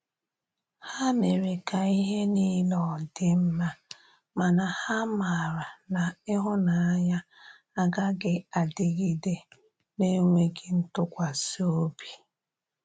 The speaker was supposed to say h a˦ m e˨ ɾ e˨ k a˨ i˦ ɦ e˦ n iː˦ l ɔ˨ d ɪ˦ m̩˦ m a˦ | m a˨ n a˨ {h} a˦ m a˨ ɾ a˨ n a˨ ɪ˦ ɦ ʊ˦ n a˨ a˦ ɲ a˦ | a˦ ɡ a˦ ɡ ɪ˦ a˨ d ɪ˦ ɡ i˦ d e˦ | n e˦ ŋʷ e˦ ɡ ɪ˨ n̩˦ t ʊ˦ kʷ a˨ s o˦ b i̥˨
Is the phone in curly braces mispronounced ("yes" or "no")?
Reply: no